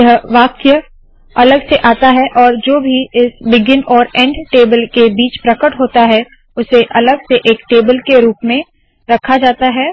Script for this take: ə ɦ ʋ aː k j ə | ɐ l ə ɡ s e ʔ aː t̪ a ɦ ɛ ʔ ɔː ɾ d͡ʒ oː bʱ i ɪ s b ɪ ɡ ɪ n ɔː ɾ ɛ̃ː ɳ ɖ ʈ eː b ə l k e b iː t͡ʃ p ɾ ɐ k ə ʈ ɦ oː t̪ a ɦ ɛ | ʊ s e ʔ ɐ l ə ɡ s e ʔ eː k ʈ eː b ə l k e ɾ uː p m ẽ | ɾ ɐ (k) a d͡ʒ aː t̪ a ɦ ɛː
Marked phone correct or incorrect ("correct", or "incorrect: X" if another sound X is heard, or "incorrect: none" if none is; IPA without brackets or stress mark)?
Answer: incorrect: kʰ